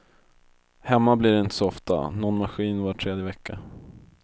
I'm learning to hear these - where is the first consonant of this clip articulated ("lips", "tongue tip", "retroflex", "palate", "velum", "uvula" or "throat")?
throat